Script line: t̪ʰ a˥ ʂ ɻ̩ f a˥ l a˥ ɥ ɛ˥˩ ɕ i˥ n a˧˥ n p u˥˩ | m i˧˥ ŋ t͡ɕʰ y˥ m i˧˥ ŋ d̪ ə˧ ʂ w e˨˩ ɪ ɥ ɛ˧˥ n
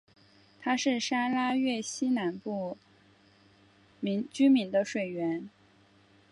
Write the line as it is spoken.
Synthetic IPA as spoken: t̪ʰ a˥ ʂ ɻ̩ ʂ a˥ l a˥ ɥ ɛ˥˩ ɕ i˥ n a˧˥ n p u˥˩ | m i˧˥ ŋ t͡ɕ y˥ m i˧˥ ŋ d̪ ə˧ ʂ w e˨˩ ɪ ɥ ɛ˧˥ n